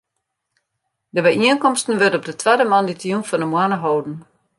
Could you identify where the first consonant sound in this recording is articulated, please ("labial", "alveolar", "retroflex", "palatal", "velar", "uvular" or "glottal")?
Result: alveolar